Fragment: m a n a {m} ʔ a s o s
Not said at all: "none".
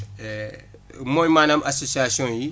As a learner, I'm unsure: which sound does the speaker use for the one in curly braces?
m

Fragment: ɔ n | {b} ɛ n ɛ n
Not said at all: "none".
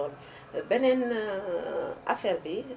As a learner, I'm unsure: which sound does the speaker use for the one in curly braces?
b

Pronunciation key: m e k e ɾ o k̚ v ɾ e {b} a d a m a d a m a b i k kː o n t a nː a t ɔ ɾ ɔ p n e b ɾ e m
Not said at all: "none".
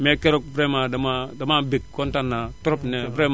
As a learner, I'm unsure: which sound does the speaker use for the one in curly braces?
m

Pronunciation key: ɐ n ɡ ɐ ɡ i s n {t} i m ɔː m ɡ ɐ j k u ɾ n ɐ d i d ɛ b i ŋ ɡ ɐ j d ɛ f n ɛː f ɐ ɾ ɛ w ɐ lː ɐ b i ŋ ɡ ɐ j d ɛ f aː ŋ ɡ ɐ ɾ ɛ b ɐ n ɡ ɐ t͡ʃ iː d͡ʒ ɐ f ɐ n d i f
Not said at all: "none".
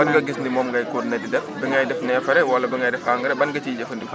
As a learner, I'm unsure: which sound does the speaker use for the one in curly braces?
d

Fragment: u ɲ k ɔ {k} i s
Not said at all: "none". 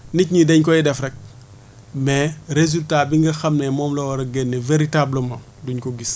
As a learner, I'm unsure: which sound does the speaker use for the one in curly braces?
ɡ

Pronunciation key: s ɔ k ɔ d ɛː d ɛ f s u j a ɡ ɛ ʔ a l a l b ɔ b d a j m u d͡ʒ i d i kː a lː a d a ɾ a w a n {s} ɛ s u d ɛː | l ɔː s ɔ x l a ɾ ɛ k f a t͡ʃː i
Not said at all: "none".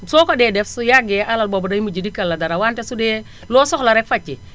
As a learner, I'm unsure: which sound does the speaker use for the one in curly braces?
t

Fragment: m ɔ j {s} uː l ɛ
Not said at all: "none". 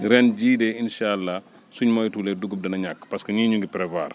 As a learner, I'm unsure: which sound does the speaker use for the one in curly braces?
t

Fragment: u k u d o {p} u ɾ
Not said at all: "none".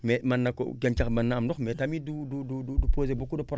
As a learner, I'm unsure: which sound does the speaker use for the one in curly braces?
p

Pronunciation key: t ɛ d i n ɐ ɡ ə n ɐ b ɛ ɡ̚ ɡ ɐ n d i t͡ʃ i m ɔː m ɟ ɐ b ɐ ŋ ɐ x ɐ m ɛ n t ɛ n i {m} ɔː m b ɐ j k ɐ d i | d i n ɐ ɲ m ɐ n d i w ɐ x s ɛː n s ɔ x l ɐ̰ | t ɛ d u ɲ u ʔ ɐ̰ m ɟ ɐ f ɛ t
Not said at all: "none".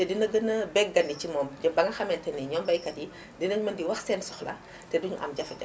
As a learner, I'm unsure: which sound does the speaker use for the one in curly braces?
ɲ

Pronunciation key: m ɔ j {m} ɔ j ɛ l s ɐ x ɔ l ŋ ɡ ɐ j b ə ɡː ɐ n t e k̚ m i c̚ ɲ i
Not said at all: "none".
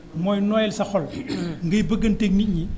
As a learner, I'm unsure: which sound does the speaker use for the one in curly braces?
n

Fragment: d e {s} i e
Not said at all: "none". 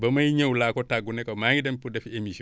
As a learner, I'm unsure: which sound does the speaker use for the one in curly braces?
f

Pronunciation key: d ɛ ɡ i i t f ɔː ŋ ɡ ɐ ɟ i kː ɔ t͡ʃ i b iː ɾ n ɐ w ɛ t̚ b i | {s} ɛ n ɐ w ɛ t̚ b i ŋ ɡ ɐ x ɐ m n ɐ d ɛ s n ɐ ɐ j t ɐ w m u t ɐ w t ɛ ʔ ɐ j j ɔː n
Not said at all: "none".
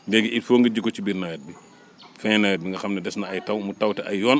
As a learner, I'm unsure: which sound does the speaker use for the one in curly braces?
f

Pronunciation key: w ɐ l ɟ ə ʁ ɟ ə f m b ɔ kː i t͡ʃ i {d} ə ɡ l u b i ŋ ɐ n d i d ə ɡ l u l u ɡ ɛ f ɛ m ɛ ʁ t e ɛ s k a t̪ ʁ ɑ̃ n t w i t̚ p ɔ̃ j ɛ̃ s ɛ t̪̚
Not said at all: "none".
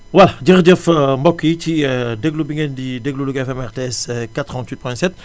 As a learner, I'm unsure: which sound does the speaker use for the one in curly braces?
d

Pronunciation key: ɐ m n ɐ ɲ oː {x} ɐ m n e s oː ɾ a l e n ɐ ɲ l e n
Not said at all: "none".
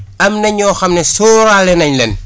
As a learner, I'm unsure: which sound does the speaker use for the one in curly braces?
x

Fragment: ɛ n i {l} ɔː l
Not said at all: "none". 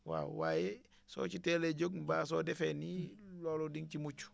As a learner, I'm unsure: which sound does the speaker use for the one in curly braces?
l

